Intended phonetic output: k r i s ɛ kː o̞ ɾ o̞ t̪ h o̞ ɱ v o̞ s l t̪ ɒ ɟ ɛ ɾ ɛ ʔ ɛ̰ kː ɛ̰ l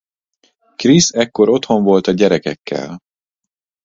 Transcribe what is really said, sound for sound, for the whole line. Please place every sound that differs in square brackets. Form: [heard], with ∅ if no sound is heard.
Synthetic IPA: k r i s ɛ kː o̞ ɾ o̞ t̪ h o̞ ɱ v o̞ [∅] l t̪ ɒ ɟ ɛ ɾ ɛ [k] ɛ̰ kː ɛ̰ l